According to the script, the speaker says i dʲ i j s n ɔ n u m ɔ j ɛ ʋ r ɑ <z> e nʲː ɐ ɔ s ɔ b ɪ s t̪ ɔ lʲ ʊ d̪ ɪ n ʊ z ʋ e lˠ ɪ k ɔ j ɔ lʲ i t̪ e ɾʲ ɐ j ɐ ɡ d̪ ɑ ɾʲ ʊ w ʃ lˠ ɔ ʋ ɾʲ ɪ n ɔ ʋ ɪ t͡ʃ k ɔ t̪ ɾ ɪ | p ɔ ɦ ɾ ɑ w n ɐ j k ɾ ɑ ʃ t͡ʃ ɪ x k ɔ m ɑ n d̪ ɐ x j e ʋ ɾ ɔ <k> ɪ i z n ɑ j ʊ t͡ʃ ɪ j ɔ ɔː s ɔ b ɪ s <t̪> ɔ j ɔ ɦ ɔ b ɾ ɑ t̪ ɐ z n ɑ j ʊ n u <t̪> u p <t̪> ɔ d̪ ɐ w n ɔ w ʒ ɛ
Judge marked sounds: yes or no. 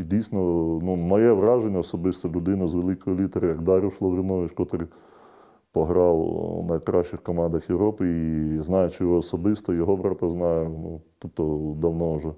no, no, yes, yes, yes

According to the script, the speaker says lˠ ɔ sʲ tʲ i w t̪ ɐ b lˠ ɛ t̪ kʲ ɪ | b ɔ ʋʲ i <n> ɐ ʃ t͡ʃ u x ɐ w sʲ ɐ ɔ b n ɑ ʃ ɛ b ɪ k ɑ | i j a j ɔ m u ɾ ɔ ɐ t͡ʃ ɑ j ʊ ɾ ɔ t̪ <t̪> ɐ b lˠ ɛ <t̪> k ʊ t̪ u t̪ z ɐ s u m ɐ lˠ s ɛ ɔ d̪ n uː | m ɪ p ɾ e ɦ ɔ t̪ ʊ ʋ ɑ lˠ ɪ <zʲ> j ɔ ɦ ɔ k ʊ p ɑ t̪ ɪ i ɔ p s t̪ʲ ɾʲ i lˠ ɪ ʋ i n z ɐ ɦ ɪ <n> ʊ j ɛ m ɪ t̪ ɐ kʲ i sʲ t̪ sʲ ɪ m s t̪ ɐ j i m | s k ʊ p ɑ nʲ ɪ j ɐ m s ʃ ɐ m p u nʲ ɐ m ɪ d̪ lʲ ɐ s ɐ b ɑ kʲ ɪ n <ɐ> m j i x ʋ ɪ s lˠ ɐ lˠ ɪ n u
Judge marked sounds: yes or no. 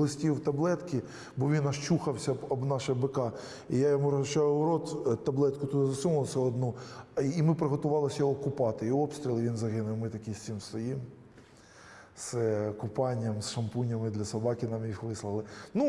yes, yes, yes, no, yes, no

